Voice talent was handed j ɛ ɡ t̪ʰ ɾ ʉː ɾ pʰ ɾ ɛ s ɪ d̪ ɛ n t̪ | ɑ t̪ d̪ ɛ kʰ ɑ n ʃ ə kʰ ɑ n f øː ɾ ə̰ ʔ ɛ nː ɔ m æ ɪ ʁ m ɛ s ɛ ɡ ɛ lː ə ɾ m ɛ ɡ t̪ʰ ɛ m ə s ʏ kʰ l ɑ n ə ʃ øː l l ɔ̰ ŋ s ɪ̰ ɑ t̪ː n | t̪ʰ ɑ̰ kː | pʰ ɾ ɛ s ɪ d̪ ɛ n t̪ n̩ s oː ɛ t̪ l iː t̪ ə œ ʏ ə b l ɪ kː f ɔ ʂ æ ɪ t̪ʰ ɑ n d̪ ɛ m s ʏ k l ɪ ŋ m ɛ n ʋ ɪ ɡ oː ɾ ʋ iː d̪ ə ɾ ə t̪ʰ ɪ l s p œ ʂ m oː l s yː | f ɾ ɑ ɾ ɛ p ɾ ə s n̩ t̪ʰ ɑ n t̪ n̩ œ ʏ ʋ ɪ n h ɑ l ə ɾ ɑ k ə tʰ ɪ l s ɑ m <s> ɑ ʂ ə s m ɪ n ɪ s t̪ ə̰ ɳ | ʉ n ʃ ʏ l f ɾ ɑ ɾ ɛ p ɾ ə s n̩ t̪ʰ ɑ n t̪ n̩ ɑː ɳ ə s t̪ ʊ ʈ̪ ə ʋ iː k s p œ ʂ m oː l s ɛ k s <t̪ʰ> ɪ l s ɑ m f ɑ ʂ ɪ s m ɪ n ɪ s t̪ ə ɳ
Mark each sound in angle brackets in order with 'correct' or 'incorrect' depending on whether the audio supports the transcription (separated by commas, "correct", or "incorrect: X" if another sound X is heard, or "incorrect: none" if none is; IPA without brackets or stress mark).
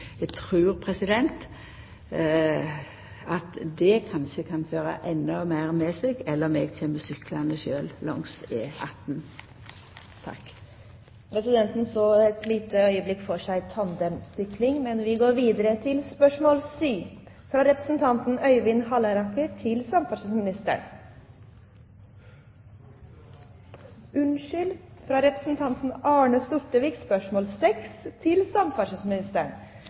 incorrect: f, correct